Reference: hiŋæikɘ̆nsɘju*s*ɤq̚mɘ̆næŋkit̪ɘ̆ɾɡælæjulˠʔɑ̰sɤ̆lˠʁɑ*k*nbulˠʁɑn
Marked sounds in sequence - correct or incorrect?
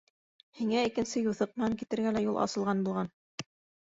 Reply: incorrect, incorrect

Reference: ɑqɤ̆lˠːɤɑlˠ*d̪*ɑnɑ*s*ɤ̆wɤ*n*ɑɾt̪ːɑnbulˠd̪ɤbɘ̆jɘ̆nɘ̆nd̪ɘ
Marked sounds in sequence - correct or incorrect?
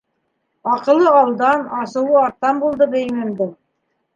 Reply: correct, correct, incorrect

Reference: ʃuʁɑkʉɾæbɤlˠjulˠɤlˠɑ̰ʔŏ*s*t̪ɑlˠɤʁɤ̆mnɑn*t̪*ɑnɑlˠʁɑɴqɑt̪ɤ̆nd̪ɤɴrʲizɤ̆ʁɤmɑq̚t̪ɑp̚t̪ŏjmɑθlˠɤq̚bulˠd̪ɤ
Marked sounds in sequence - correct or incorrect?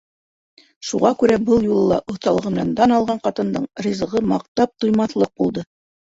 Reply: incorrect, incorrect

